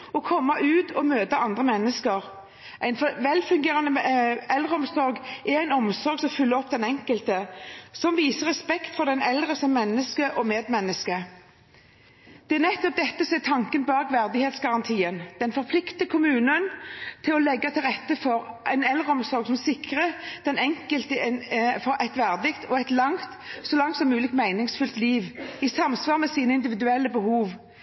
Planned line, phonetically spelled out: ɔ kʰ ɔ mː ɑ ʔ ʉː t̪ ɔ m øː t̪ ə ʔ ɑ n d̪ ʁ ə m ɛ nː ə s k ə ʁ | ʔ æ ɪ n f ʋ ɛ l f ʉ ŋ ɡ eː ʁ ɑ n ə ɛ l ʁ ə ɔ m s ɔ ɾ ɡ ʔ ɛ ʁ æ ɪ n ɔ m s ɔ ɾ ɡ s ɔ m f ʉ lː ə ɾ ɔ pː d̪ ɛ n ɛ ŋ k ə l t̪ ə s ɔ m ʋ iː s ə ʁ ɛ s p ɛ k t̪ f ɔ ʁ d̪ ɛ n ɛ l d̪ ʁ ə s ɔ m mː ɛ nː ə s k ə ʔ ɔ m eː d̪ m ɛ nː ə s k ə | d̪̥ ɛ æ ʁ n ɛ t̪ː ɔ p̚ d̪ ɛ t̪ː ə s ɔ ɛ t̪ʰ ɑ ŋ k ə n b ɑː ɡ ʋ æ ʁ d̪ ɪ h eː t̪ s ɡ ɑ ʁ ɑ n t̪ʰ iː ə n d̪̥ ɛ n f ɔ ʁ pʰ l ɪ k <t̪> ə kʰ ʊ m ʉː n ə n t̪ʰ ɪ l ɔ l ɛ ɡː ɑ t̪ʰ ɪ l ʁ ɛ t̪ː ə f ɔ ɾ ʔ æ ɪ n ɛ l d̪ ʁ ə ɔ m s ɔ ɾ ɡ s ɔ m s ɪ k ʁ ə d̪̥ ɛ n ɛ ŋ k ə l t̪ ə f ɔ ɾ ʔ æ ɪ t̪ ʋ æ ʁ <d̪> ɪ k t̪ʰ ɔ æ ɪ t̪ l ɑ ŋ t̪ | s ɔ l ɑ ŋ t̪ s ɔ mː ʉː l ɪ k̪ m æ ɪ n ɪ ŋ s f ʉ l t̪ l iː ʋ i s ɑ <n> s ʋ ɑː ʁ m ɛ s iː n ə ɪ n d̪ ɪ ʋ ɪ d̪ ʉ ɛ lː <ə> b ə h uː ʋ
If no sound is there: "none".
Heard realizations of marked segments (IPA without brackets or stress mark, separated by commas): t̪, d̪, m, ə